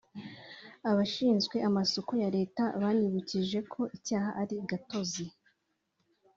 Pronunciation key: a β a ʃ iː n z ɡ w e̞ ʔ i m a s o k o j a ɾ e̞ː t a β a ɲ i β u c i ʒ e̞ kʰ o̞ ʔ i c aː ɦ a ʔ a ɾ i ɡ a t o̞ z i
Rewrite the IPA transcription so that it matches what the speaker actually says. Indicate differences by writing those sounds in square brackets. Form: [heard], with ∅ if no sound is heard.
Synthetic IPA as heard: a β a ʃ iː n z ɡ w e̞ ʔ [a] m a s o k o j a ɾ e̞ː t a β a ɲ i β u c i ʒ e̞ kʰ o̞ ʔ i c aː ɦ a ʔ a ɾ i ɡ a t o̞ z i